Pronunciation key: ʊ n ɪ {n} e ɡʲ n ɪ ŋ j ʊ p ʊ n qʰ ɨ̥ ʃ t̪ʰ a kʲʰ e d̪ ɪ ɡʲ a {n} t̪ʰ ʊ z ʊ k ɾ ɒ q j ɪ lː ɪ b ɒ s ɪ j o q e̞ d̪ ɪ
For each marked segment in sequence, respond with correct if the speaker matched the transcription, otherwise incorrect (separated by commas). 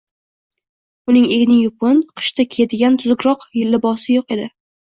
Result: incorrect, correct